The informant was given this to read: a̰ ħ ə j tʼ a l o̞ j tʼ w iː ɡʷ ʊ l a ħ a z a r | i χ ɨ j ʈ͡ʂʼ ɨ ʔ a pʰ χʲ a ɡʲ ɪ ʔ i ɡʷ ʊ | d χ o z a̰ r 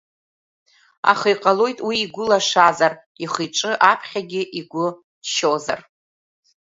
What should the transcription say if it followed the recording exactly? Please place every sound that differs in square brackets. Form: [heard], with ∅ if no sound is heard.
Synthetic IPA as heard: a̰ [χ] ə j [qʼ] a l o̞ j tʼ w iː ɡʷ ʊ l a [ʂ] a z a r | i χ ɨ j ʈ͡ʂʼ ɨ ʔ a pʰ χʲ a ɡʲ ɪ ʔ i ɡʷ ʊ | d [ʃ] o z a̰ r